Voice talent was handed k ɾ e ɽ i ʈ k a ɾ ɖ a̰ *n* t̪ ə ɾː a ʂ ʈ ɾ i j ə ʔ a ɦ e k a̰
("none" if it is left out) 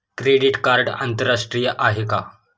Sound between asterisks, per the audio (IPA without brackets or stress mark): n